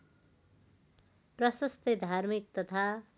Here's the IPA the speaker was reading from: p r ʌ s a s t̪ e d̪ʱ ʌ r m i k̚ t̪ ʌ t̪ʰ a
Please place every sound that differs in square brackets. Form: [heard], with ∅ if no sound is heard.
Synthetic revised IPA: p r ʌ s [ʌ] s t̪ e d̪ʱ [a] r m i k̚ t̪ ʌ t̪ʰ a